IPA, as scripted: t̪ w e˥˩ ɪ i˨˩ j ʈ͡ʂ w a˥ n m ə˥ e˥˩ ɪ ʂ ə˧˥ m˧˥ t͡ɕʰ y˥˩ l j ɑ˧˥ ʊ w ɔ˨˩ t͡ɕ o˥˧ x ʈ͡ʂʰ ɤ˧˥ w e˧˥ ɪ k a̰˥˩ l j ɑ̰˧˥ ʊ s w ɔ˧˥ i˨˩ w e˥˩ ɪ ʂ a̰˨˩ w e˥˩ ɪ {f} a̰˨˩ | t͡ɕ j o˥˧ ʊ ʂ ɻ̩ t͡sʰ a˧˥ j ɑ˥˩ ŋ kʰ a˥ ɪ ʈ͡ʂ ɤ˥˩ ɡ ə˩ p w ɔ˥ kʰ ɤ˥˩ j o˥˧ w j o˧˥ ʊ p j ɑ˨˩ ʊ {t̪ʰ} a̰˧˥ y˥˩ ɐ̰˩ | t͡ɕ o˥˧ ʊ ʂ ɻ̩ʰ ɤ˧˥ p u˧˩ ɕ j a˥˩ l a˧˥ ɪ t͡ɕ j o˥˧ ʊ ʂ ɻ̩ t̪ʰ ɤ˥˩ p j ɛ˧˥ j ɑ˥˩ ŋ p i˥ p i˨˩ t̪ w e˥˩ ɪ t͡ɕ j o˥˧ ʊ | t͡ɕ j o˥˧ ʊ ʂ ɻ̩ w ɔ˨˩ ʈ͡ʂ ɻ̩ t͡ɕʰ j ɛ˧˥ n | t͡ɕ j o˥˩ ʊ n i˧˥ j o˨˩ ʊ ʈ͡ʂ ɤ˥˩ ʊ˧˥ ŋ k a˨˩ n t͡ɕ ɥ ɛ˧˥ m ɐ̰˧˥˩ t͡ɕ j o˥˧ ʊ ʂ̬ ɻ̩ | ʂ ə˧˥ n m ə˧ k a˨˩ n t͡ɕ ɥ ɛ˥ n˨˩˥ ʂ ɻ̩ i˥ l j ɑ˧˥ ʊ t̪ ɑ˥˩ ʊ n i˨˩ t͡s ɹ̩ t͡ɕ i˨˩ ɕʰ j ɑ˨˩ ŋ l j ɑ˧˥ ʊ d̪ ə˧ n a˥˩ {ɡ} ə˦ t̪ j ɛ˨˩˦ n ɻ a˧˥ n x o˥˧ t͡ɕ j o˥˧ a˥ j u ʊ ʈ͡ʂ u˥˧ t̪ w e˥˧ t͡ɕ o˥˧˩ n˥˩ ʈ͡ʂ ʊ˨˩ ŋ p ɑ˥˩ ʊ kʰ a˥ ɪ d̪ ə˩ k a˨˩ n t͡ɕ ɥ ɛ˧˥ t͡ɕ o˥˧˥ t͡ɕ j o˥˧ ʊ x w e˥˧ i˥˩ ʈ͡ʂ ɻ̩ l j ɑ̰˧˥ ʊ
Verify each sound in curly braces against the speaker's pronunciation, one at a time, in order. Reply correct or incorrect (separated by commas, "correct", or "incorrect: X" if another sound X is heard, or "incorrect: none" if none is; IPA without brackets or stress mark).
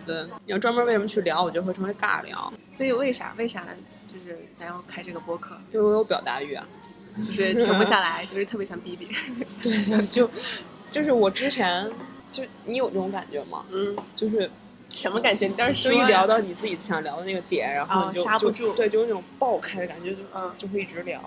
incorrect: ʂ, incorrect: t̪, correct